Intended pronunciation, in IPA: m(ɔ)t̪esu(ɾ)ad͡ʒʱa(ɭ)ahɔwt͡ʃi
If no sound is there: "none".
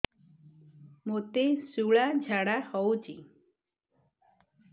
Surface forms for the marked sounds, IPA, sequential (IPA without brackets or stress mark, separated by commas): o, ɭ, ɽ